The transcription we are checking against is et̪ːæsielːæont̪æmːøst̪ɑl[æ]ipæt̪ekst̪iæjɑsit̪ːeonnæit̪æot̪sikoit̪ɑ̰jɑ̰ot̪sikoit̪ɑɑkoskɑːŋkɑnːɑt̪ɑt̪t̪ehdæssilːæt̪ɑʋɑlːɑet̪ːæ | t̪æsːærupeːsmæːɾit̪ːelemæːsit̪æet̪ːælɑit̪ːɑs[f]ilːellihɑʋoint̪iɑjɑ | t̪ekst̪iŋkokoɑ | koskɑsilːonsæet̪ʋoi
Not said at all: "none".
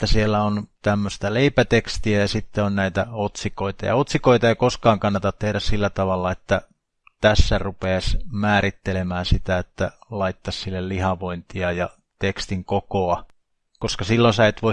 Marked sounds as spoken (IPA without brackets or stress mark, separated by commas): e, s